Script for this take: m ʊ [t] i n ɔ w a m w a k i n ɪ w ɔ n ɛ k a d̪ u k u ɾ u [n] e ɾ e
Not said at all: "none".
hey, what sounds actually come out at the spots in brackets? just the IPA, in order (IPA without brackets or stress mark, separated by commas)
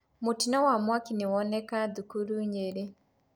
t, ɲ